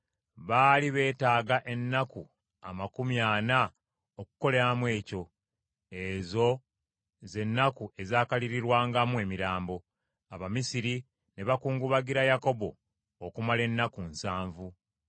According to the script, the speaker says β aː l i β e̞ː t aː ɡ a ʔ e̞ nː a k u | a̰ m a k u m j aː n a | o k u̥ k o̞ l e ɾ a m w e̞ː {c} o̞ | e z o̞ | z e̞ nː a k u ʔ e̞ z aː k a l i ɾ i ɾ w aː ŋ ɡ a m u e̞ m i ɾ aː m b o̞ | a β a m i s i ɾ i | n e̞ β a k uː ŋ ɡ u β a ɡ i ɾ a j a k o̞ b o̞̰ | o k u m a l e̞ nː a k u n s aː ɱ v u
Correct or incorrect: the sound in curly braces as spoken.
correct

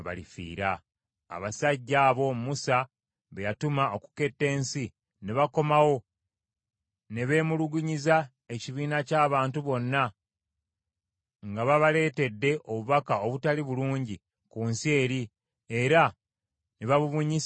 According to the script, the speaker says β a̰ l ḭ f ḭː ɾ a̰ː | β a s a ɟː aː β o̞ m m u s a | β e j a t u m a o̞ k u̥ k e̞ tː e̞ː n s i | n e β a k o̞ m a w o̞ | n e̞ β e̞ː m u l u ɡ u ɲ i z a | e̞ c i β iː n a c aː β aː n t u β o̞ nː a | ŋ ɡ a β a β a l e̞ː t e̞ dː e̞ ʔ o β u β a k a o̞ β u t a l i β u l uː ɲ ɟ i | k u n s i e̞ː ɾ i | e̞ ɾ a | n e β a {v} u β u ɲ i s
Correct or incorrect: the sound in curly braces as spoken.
incorrect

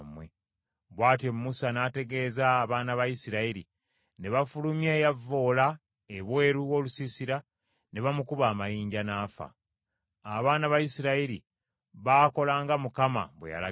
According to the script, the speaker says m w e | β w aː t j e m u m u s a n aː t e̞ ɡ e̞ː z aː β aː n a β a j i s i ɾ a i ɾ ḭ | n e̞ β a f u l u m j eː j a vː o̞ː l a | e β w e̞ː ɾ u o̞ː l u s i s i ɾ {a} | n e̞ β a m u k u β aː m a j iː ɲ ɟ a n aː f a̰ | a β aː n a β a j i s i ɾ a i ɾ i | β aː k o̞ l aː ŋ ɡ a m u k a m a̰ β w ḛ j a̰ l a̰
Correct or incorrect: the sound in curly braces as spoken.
correct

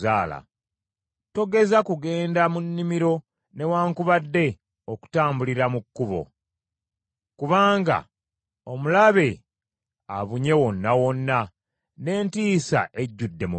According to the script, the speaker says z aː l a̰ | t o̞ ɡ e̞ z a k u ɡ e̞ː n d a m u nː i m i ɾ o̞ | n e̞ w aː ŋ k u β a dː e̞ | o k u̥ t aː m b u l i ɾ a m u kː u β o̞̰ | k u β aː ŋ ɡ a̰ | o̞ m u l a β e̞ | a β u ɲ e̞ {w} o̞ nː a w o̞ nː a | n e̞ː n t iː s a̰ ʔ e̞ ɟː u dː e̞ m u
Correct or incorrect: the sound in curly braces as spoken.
correct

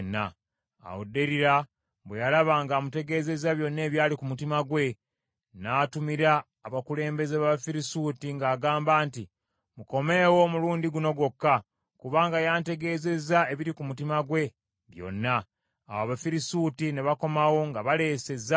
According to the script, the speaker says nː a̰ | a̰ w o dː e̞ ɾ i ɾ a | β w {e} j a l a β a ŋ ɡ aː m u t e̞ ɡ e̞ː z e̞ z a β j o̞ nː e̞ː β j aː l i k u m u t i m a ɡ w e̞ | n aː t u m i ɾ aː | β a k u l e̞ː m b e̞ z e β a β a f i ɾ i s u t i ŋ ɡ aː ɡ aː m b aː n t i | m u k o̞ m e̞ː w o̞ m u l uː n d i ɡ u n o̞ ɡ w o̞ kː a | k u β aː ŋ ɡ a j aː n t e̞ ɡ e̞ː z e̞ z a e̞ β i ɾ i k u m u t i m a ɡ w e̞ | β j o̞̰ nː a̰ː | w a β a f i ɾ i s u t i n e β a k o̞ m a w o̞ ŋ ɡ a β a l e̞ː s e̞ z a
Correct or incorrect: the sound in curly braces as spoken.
correct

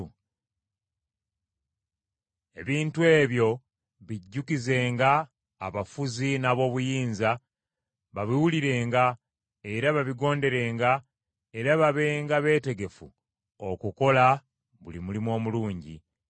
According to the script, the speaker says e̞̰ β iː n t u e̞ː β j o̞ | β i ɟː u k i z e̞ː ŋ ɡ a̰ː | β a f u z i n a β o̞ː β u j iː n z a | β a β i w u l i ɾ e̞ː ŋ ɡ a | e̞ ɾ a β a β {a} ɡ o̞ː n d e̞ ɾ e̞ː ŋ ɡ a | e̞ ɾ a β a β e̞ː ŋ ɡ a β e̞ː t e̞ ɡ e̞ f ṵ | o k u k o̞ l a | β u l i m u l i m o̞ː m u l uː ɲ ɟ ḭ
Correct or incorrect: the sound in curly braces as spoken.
incorrect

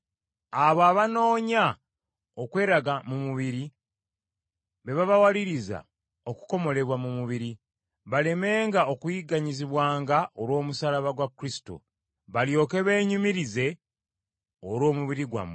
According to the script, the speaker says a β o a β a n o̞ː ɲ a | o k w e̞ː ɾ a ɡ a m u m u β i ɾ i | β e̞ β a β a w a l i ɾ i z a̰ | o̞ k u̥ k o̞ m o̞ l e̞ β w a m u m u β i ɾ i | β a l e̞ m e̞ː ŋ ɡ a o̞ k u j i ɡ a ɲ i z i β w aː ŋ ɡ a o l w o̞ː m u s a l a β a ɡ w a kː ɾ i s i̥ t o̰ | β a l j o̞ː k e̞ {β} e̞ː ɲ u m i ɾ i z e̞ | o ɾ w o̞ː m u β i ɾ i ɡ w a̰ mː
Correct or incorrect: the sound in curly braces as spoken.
correct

